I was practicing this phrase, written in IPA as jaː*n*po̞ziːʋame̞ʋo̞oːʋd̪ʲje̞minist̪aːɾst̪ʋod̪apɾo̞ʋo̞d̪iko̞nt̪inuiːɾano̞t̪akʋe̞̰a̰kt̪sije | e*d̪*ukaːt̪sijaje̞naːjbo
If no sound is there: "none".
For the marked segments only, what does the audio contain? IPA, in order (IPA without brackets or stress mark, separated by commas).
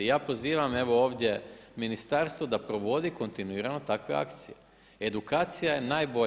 none, d̪